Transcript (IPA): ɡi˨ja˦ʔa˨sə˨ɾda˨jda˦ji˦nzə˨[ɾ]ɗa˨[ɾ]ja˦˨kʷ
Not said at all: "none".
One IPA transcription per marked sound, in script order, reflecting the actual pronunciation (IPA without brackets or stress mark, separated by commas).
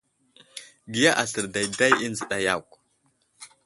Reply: none, none